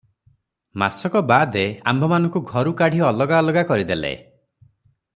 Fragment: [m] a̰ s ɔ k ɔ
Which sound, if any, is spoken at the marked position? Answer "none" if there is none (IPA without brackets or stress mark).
m